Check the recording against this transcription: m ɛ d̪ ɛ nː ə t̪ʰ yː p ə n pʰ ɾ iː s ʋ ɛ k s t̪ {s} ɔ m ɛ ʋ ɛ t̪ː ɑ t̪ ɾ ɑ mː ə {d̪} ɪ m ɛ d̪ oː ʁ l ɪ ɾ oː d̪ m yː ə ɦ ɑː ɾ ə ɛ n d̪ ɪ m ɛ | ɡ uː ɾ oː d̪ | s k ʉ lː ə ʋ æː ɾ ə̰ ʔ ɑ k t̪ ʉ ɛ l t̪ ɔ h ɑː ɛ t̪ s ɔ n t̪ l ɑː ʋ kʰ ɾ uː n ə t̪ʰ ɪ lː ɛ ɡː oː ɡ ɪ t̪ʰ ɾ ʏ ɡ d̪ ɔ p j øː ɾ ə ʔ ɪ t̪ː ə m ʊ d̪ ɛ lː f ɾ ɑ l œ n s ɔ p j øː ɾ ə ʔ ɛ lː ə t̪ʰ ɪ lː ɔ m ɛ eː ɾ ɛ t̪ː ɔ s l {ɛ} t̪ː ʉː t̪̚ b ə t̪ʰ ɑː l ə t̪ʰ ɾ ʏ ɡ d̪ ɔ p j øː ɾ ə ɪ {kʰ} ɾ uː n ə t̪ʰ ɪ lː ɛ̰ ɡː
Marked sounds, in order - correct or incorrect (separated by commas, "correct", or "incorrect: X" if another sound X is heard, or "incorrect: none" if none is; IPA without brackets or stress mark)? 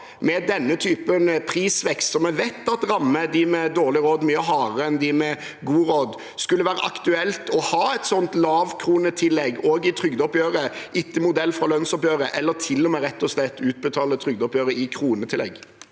correct, correct, correct, correct